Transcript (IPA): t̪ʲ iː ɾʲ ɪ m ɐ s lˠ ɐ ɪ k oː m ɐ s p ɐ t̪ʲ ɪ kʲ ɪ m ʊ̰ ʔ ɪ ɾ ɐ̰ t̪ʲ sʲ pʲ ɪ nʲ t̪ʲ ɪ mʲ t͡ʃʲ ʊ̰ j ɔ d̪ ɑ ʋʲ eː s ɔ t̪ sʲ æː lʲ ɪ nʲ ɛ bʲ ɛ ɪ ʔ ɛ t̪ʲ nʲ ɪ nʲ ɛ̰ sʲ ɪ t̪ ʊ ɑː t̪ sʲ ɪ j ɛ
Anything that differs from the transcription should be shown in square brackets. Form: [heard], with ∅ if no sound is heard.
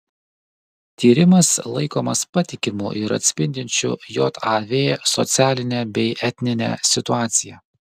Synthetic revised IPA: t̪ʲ iː ɾʲ ɪ m ɐ s lˠ ɐ ɪ k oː m ɐ s p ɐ t̪ʲ ɪ kʲ ɪ m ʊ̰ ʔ ɪ ɾ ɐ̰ t̪ʲ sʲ pʲ ɪ nʲ [d̪ʲ] ɪ [nʲ] t͡ʃʲ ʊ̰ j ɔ [t̪] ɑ ʋʲ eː s ɔ t̪ sʲ æː lʲ ɪ nʲ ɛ bʲ ɛ ɪ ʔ ɛ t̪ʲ nʲ ɪ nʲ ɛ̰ sʲ ɪ t̪ ʊ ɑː t̪ sʲ ɪ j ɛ